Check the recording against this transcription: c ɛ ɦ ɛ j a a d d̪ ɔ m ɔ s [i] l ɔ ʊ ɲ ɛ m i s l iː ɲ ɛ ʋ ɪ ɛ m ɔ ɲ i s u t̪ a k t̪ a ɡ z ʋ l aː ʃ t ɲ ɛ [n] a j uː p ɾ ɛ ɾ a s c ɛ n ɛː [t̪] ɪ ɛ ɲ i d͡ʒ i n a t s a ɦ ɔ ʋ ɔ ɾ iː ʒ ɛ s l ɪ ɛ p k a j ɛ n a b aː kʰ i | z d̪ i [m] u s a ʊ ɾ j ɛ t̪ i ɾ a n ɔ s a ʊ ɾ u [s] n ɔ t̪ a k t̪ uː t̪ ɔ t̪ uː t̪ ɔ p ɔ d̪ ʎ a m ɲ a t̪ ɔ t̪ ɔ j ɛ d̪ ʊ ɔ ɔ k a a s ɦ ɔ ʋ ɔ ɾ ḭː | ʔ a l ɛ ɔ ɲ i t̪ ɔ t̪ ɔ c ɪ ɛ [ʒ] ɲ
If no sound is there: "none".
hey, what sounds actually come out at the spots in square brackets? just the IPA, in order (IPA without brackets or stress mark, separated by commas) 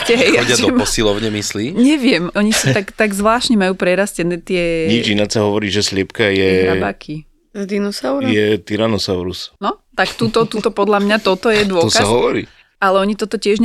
i, m, t̪, n, s, ʒ